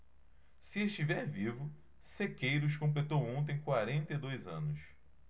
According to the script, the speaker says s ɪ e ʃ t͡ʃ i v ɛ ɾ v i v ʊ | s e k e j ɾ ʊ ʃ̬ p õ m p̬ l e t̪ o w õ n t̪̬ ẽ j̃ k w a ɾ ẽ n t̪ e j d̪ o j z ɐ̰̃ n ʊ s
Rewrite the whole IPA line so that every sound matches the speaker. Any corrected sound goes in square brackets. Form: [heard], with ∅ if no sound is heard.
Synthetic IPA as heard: s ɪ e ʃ t͡ʃ i v ɛ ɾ v i v ʊ | s e k e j ɾ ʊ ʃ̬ [k] õ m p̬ l e t̪ o w õ n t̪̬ ẽ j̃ k w a ɾ ẽ n t̪ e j d̪ o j z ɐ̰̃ n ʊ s